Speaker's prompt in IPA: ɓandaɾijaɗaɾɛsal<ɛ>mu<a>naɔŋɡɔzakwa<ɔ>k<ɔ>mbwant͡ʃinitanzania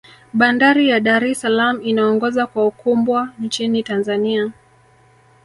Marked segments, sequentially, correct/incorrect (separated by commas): incorrect, incorrect, incorrect, incorrect